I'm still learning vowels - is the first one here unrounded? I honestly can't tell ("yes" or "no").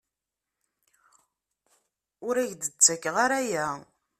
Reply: no